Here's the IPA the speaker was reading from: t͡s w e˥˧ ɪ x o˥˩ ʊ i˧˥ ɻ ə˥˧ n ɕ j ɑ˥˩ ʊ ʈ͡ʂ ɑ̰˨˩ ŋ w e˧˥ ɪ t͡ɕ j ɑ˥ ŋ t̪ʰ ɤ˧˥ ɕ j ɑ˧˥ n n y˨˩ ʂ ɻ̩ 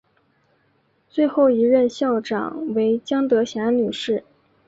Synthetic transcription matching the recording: t͡s w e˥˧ ɪ x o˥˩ ʊ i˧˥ ɻ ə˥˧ n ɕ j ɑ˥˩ ʊ ʈ͡ʂ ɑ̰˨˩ ŋ w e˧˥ ɪ t͡ɕ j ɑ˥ ŋ t̪ ɤ˧˥ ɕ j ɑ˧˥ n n y˨˩ ʂ ɻ̩